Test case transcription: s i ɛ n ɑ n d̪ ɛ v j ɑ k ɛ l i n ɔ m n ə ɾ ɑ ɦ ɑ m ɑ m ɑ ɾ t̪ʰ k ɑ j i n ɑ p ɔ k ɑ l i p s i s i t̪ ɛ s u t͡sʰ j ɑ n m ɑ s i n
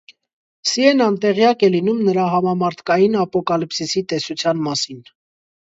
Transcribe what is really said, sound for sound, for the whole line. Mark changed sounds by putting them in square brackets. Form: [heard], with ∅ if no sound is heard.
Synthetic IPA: s i ɛ n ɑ n [t̪] ɛ [ʁ] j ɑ k ɛ l i n [u] m n ə ɾ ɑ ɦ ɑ m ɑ m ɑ ɾ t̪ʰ k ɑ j i n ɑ p ɔ k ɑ l i p s i s i t̪ ɛ s u t͡sʰ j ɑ n m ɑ s i n